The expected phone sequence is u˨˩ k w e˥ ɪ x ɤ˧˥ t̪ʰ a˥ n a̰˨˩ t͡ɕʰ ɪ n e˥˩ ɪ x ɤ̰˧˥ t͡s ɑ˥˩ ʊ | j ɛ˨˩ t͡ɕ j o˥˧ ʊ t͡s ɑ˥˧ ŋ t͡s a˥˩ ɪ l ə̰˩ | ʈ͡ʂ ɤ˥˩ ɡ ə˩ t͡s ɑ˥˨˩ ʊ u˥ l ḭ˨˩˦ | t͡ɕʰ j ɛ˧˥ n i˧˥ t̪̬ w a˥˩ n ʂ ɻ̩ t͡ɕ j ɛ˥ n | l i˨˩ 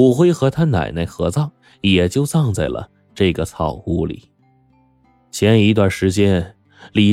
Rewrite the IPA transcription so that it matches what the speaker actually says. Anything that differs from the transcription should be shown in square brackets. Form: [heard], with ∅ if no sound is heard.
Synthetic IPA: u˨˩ [x] w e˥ ɪ x ɤ˧˥ t̪ʰ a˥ n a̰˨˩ [∅] ɪ n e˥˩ ɪ x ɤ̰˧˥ t͡s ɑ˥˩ ʊ | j ɛ˨˩ t͡ɕ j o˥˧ ʊ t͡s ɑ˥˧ ŋ t͡s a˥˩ ɪ l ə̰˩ | ʈ͡ʂ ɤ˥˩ ɡ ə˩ [t͡sʰ] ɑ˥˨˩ ʊ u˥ l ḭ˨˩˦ | t͡ɕʰ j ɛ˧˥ n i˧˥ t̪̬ w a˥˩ n ʂ ɻ̩ t͡ɕ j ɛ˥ n | l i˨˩